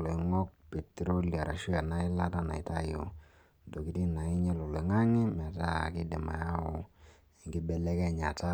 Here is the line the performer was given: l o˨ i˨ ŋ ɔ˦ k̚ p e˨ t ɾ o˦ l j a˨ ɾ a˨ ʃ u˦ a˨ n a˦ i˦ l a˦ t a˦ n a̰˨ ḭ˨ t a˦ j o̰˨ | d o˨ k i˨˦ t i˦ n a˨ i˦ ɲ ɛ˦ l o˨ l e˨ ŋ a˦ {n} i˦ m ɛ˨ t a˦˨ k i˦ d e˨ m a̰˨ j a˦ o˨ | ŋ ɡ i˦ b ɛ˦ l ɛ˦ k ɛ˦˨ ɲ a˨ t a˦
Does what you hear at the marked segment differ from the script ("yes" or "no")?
yes